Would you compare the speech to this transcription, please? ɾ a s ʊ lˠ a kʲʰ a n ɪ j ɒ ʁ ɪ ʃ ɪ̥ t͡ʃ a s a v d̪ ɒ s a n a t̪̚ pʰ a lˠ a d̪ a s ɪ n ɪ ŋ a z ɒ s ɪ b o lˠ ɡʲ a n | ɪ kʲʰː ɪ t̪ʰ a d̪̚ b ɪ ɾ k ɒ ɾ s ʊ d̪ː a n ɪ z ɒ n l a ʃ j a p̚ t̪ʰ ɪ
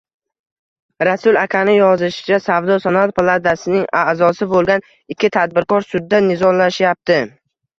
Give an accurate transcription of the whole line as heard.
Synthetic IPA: ɾ a s ʊ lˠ a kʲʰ a n ɪ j ɒ z ɪ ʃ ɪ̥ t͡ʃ a s a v d̪ ɒ s a n a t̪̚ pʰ a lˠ a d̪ a s ɪ n ɪ ŋ a z ɒ s ɪ b o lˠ ɡʲ a n | ɪ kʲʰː ɪ t̪ʰ a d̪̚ b ɪ ɾ k ɒ ɾ s ʊ d̪ː a n ɪ z ɒ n l a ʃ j a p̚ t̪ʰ ɪ